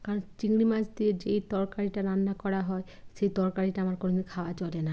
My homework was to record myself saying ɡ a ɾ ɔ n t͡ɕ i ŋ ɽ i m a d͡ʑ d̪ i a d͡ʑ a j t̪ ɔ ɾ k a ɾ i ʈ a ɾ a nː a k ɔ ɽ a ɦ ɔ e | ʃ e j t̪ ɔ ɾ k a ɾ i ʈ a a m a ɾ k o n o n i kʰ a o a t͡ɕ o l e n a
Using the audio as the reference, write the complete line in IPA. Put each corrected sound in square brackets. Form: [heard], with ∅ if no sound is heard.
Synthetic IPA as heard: [k] a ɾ ɔ n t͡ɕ i ŋ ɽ i m a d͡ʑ d̪ i [e] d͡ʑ [e] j t̪ ɔ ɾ k a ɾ i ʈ a ɾ a nː a k ɔ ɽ a ɦ ɔ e | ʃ e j t̪ ɔ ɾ k a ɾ i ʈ a a m a ɾ k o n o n i kʰ a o a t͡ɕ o l e n a